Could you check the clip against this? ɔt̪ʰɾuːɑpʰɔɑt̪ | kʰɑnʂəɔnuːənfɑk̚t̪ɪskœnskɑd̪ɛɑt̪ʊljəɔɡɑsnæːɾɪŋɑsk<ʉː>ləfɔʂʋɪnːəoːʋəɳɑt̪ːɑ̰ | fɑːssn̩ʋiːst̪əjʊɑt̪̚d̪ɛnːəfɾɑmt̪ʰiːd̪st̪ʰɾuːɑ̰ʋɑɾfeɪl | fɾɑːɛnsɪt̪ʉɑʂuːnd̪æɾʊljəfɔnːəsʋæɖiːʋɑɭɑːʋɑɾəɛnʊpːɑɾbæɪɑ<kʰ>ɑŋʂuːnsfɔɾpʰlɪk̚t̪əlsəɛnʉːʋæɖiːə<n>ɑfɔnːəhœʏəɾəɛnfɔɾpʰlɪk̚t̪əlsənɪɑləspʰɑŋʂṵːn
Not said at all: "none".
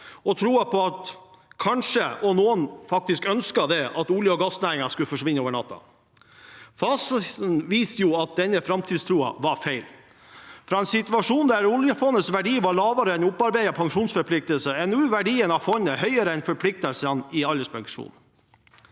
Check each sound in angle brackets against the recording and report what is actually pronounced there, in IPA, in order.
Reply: ʉ, pʰ, n

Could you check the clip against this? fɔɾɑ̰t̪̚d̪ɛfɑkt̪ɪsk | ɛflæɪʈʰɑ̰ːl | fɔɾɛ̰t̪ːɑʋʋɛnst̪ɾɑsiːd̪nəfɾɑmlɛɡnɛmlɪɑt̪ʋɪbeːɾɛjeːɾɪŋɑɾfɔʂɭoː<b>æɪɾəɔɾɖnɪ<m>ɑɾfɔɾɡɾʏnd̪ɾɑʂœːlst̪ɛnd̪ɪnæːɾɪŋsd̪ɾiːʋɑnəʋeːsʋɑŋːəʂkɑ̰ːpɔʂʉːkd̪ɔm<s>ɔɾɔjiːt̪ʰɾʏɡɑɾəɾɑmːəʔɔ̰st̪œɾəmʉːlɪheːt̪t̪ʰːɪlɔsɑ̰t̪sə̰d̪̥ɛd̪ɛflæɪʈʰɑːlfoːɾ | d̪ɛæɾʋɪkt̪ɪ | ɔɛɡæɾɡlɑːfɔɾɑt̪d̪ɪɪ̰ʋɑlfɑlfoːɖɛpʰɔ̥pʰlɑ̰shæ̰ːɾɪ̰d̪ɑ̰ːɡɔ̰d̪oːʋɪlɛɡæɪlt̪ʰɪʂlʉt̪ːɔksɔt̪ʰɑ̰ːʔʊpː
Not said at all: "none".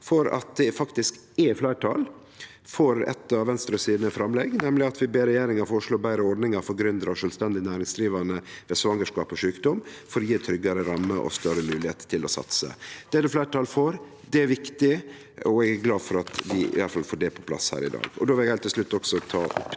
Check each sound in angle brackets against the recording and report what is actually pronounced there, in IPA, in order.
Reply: b, ŋ, f

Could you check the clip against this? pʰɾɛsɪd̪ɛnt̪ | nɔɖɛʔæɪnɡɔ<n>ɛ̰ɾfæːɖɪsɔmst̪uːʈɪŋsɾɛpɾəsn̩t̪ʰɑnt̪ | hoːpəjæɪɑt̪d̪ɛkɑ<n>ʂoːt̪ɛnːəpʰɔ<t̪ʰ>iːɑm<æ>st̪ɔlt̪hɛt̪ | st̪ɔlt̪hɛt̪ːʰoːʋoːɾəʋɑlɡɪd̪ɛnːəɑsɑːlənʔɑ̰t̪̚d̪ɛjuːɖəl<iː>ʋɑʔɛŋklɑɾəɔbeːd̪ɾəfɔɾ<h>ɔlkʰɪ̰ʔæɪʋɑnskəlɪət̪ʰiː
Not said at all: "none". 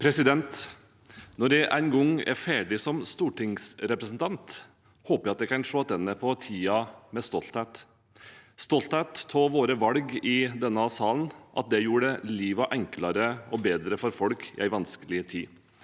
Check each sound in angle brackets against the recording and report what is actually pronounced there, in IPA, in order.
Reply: ŋ, n, t̪ʰ, ɛ, iː, f

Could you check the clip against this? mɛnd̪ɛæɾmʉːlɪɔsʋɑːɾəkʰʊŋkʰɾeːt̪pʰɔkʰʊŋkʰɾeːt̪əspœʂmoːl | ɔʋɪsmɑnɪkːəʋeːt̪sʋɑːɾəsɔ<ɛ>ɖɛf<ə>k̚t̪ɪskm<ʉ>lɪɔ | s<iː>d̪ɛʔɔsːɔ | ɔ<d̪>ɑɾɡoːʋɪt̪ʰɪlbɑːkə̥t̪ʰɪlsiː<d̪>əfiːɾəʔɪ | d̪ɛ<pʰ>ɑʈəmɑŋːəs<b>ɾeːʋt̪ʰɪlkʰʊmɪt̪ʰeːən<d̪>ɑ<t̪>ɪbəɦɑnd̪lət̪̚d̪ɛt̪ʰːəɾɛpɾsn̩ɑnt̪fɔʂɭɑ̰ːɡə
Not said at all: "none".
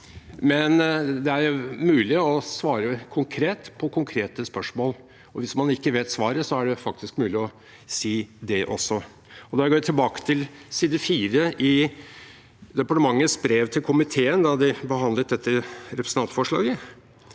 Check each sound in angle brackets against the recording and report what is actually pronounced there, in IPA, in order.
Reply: æ, ɑ, ʉː, iː, d̪, d̪, p, b, d̪, d̪

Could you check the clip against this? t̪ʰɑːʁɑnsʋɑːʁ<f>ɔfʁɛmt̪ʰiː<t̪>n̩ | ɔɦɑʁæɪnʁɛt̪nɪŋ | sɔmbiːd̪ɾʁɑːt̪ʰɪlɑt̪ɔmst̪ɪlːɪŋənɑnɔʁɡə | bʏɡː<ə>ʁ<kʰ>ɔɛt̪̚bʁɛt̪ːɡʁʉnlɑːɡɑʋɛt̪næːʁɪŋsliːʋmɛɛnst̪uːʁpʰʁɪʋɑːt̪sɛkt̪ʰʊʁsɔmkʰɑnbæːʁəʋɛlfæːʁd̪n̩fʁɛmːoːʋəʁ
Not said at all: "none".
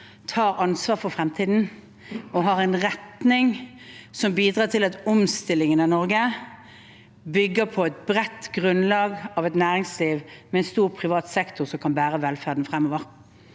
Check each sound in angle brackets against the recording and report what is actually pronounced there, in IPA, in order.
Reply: f, d̪, ə, pʰ

